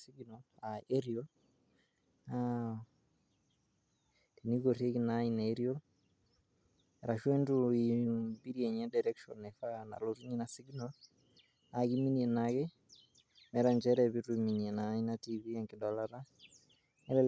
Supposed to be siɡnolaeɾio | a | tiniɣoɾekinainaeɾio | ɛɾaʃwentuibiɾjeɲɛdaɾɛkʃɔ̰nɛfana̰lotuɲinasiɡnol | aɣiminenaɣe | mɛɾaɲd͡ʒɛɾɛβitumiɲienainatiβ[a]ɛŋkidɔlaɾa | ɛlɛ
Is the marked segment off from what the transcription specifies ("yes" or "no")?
yes